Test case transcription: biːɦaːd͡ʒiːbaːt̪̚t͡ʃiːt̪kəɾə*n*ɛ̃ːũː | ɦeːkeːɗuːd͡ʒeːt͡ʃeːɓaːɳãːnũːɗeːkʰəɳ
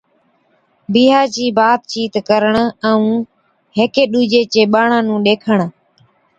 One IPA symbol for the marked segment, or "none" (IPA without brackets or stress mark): ɳ